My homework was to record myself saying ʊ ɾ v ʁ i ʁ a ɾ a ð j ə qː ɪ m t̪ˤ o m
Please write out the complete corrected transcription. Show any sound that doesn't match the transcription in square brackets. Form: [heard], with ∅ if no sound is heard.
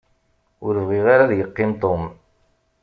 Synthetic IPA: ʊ ɾ v ʁ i ʁ a ɾ a ð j ə qː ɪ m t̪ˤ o m